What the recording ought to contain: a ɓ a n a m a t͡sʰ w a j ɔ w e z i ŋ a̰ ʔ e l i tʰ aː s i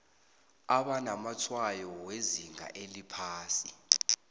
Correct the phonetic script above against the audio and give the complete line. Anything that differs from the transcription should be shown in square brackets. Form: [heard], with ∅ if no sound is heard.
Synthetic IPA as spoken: a ɓ a n a m a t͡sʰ w a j ɔ w e z i ŋ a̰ ʔ e l i [pʰ] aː s i